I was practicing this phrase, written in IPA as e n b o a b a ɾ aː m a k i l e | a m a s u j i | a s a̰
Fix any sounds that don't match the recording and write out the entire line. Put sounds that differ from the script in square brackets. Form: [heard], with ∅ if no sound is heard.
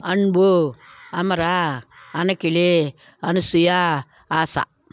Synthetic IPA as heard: [a] n b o a [m] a ɾ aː [n] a k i l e | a [n] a s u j [a] | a s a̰